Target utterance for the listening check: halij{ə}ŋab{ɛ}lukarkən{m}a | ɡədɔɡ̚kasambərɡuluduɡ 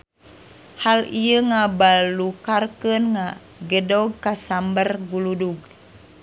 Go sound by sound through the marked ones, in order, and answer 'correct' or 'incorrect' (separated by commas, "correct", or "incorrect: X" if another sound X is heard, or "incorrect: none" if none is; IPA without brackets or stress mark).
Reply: correct, incorrect: a, incorrect: ŋ